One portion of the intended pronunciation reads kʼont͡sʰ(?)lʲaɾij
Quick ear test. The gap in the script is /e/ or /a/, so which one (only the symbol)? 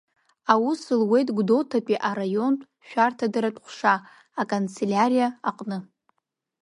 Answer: e